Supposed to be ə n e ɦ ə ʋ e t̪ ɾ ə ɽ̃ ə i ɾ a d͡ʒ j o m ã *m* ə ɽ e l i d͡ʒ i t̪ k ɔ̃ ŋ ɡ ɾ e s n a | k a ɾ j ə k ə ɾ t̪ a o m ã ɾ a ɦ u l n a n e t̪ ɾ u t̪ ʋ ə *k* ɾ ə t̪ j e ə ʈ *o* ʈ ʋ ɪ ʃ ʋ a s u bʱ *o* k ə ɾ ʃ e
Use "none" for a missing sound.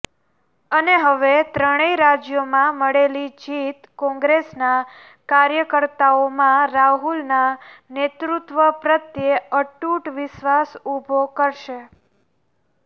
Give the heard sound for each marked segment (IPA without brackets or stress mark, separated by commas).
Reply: m, p, u, o